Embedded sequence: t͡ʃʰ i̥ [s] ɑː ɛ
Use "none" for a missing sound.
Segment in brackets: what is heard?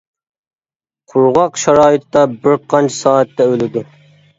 s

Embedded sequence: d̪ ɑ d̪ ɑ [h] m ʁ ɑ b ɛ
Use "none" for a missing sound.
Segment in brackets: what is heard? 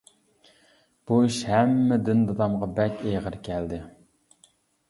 none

